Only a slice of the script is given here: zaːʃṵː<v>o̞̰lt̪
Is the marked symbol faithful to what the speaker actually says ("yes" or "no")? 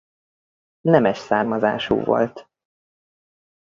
yes